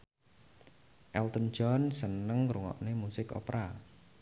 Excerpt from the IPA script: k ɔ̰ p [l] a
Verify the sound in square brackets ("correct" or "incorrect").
incorrect